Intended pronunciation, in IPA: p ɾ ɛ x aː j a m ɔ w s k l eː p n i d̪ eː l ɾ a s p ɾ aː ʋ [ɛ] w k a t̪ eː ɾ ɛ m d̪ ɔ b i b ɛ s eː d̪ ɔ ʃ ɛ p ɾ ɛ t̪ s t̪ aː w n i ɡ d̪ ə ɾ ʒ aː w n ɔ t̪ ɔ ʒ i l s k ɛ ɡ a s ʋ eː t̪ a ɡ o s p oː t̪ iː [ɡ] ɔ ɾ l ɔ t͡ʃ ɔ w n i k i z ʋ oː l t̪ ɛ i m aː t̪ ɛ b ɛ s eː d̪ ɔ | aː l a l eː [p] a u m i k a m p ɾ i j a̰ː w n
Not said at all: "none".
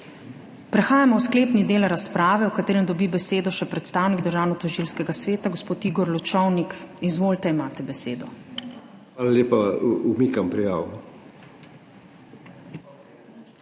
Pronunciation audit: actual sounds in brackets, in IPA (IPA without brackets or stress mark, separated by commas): ɛ, ɡ, p